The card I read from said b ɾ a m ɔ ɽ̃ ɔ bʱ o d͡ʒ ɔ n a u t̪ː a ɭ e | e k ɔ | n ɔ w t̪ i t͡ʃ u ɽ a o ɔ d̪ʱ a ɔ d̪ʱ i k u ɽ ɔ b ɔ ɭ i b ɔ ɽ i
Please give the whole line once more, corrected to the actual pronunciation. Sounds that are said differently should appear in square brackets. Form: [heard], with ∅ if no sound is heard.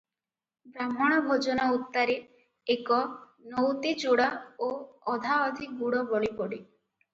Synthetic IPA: b ɾ a m ɔ ɽ̃ ɔ bʱ o d͡ʒ ɔ n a u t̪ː a [ɾ] e | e k ɔ | n ɔ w t̪ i t͡ʃ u ɽ a o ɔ d̪ʱ a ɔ d̪ʱ i [ɡ] u ɽ ɔ b ɔ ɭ i [p] ɔ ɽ i